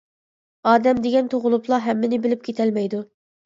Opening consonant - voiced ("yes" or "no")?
yes